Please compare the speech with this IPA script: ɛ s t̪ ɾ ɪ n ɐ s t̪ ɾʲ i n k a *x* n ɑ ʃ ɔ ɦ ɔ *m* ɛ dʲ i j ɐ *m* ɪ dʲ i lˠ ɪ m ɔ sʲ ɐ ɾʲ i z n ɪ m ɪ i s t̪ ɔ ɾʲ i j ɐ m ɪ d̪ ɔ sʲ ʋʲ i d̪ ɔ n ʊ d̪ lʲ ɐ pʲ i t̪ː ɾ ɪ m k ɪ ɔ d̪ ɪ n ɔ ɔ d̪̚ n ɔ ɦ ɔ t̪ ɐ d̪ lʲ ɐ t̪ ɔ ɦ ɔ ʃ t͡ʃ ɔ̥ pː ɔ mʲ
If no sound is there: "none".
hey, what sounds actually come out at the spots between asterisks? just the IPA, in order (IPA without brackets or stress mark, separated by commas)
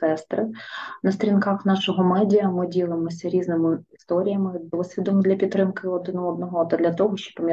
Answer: x, m, m